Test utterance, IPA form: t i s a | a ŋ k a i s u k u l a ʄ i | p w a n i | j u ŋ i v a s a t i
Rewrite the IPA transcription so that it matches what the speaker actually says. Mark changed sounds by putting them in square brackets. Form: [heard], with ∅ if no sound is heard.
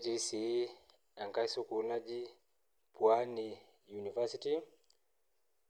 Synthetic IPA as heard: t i s [i] | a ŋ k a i s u k u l a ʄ i | p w a n i | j u [n] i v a s [i] t i